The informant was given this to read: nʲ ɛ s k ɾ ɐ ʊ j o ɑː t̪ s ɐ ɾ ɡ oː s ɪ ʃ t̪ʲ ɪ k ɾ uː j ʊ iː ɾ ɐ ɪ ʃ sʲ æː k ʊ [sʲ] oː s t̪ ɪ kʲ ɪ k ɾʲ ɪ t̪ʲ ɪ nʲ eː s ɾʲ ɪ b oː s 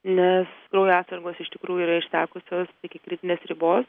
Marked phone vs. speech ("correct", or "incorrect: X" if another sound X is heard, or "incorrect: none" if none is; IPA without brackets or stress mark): correct